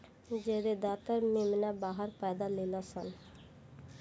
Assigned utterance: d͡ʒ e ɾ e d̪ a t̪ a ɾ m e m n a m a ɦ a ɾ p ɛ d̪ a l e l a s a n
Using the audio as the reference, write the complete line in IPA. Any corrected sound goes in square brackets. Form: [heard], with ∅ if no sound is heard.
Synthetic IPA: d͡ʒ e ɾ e d̪ a t̪ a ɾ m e m n a [b] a ɦ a ɾ p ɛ d̪ a l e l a s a n